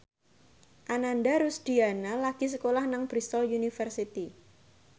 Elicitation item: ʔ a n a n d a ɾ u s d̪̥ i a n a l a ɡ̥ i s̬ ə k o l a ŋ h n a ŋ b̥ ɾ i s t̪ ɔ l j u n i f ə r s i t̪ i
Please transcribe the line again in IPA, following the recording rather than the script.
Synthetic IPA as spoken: ʔ a n a n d a ɾ u s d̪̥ i a n a l a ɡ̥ i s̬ ə k o l a h n a ŋ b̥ ɾ i s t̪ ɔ l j u n i f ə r s i t̪ i